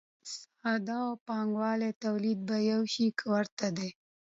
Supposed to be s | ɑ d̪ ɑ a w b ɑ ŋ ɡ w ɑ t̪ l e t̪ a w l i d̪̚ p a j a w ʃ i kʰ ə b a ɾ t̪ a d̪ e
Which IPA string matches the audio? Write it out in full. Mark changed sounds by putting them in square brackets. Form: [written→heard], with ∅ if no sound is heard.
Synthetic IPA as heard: s | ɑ d̪ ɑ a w [b→p] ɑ ŋ ɡ w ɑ [t̪→∅] l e t̪ a w l i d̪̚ [p→b] a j a w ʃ i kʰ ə [b→w] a ɾ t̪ a d̪ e